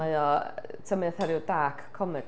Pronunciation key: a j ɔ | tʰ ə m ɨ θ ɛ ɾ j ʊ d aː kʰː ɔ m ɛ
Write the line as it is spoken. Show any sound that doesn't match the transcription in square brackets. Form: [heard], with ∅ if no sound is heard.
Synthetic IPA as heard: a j ɔ | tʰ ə m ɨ θ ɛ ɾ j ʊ d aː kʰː ɔ m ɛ